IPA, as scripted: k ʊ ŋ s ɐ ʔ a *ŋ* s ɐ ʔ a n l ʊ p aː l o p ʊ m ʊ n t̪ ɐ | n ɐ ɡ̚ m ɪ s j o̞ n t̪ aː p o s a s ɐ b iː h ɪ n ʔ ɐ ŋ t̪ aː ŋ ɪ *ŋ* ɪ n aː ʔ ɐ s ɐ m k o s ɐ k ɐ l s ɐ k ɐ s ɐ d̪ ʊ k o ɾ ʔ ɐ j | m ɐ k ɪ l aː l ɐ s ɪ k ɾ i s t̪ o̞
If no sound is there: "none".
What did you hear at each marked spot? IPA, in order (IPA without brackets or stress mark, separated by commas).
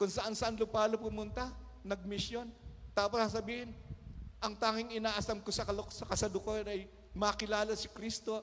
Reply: n, ŋ